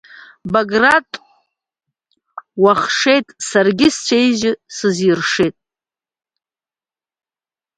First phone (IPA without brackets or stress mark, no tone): b